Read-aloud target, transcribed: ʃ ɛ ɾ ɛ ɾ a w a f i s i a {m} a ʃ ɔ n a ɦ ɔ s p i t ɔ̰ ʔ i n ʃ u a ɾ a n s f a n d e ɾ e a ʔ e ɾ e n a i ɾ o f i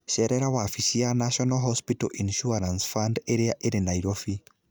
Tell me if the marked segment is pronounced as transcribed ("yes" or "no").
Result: no